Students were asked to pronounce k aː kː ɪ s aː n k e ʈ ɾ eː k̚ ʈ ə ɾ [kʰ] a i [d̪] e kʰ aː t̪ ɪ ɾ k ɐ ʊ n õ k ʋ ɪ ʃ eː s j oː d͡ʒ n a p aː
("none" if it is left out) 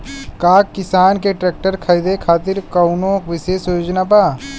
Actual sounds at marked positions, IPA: kʰ, d̪

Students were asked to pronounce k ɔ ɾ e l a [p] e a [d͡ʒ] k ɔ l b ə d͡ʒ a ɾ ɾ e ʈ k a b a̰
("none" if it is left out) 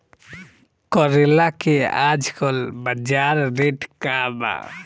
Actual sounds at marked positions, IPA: k, d͡ʒ

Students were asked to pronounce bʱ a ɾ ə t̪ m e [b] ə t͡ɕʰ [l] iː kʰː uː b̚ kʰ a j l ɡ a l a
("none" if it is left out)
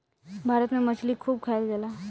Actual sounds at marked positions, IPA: m, l

